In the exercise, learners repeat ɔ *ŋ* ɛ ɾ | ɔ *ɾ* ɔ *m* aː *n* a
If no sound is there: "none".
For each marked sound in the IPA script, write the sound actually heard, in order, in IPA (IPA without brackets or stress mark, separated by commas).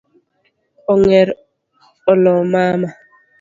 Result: ŋ, l, m, m